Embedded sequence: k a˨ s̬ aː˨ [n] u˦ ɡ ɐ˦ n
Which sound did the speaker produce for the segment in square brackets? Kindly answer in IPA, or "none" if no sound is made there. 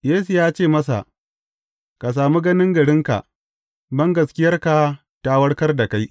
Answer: m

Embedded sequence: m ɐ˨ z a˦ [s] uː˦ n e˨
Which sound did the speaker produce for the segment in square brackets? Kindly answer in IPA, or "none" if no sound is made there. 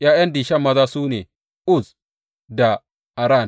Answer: s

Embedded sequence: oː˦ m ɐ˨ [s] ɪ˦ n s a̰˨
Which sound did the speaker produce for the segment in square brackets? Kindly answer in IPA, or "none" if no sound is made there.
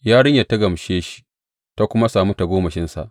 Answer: ʃ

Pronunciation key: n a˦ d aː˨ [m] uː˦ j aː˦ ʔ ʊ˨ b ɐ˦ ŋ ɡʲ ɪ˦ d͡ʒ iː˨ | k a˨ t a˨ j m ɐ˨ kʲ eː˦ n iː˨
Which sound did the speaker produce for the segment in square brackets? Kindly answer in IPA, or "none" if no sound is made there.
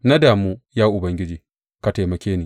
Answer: m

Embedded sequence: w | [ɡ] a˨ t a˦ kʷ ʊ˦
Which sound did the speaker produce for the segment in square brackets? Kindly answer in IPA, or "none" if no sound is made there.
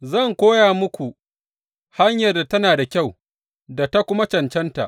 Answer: d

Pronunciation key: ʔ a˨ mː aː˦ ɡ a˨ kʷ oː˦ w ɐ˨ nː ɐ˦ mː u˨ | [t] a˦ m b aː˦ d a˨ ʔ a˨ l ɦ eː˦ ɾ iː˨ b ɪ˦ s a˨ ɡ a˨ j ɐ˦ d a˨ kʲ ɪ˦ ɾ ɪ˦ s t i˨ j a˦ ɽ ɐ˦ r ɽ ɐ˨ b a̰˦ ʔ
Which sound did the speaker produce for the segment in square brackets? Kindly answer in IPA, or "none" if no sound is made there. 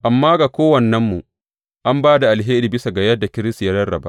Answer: ʔ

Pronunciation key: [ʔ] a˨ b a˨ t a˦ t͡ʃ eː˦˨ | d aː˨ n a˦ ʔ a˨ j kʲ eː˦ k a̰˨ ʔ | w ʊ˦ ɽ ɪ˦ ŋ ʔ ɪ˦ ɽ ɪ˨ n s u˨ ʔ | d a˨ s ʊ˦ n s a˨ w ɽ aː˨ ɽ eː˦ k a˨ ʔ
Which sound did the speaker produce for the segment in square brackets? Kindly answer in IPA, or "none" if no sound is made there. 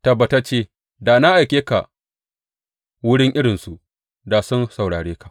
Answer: t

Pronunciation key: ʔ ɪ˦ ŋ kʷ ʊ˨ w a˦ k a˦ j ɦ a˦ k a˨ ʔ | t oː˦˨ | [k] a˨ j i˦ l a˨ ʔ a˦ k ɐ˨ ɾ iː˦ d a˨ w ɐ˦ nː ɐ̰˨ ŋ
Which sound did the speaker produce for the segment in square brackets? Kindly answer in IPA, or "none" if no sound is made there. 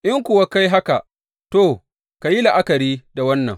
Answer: k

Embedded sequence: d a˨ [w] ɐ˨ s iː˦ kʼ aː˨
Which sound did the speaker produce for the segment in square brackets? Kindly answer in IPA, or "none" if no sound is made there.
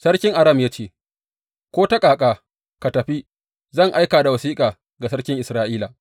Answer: w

